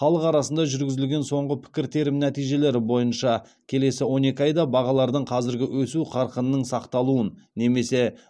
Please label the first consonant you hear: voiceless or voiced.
voiceless